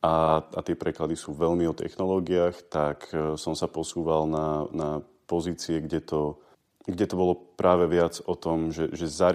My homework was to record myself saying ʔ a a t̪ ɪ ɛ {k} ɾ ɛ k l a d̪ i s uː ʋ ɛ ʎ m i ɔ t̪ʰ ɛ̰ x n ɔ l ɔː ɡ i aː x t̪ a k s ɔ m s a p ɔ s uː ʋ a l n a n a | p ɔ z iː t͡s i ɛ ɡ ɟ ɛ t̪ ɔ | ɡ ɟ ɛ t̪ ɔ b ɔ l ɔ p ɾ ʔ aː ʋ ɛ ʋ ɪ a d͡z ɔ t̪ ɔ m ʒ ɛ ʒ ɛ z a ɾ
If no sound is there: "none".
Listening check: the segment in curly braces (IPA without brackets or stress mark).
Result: p